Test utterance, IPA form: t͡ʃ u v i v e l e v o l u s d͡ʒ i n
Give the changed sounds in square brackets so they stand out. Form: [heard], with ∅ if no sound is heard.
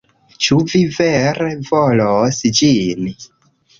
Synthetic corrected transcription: t͡ʃ u v i v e [ɾ] e v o l [o] s d͡ʒ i n